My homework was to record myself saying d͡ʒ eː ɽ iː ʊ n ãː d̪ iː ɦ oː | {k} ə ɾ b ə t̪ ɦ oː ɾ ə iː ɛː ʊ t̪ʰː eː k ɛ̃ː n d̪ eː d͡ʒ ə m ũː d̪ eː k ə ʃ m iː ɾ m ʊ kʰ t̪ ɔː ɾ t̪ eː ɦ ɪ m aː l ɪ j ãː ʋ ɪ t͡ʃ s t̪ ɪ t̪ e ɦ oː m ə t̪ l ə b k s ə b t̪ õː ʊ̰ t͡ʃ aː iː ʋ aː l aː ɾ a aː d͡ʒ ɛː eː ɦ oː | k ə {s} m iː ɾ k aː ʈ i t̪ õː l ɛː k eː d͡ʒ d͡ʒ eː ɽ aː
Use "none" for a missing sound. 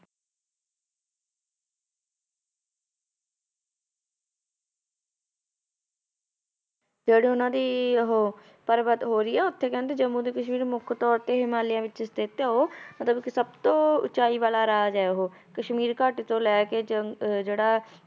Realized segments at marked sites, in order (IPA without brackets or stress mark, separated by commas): p, ʃ